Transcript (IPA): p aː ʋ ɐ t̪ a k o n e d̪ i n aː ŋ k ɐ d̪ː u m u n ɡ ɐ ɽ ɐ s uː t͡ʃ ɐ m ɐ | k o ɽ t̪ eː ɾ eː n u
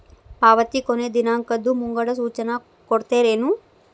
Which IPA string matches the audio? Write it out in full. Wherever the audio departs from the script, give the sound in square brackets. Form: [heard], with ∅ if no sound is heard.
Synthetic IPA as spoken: p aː ʋ ɐ t̪ [i] k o n e d̪ i n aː ŋ k ɐ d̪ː u m u [ŋ] ɡ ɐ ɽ ɐ s uː t͡ʃ ɐ [n] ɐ | k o ɽ t̪ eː ɾ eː n u